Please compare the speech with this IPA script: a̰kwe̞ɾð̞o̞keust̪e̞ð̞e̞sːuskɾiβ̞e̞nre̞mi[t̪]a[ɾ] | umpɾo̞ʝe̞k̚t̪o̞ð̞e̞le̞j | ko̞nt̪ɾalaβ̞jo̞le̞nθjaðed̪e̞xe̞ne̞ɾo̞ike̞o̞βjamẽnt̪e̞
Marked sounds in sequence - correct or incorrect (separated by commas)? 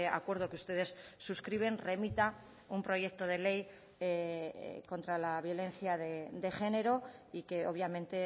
correct, incorrect